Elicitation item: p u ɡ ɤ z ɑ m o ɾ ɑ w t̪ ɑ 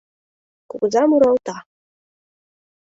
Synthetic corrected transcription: k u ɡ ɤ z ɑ m u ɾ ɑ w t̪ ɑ